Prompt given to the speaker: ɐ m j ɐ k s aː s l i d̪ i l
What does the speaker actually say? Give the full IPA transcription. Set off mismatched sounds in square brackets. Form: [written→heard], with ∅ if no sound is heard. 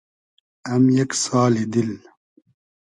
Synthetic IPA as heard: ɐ m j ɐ k s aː [s→∅] l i d̪ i l